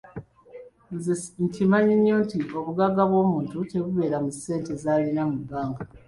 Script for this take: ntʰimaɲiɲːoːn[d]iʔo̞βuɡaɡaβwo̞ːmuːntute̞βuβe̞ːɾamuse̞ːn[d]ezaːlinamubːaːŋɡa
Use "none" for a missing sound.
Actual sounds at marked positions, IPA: t, t

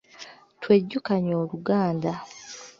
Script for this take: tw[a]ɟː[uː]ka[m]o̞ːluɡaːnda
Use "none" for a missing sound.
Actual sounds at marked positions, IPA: e, u, ɲ

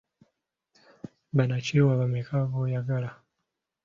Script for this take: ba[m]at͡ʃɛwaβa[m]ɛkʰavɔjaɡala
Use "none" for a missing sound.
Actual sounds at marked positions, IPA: n, m

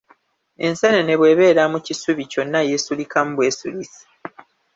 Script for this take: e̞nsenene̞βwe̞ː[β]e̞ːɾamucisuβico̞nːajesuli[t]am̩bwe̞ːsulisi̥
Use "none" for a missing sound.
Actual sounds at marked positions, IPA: β, k

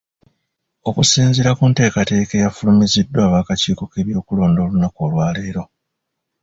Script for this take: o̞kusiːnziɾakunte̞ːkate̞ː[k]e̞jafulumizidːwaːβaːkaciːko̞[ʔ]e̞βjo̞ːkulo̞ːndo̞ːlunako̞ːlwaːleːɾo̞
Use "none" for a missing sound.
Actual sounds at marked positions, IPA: k, k

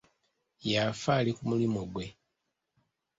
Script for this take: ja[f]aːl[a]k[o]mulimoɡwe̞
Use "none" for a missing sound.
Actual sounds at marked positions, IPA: f, i, u

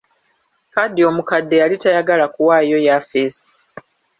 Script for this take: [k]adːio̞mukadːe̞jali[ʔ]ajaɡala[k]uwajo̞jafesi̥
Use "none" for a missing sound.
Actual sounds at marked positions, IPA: k, t, k

